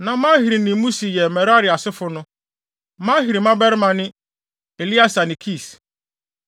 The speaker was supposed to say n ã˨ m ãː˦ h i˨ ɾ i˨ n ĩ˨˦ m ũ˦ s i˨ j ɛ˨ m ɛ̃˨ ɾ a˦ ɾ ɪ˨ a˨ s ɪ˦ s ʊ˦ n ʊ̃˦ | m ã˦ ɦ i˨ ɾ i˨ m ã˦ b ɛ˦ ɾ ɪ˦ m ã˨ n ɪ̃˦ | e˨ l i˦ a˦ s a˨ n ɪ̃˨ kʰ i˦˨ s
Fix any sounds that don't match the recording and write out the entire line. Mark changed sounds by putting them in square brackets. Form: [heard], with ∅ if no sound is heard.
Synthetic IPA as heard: n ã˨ m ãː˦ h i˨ ɾ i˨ n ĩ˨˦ m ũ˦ s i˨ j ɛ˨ m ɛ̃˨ ɾ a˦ ɾ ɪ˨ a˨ s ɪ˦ [f] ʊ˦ n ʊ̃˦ | m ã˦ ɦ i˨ ɾ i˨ m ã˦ b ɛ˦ ɾ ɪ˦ m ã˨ n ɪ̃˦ | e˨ l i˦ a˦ s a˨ n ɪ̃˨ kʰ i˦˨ s